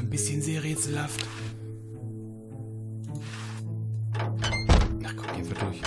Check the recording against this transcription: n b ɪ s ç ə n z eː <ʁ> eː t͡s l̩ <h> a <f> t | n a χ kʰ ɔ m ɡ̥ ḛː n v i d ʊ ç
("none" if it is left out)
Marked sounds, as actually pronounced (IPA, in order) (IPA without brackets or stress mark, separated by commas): ʁ, h, f